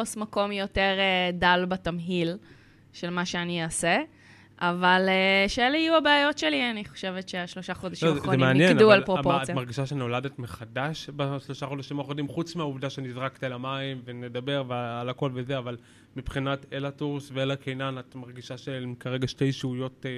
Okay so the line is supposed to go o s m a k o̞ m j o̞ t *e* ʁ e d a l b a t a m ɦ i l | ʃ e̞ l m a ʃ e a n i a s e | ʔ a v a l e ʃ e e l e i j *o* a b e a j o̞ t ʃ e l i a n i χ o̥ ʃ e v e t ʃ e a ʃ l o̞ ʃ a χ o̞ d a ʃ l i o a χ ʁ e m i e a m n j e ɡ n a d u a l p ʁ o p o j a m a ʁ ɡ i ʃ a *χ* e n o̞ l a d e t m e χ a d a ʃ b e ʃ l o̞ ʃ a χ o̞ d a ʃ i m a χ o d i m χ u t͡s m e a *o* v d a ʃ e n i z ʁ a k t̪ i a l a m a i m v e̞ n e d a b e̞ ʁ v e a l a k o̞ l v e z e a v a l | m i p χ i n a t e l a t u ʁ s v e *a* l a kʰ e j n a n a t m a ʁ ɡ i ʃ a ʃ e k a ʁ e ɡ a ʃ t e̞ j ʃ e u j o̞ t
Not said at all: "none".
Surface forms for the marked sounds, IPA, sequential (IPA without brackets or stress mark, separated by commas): e, u, ʃ, u, e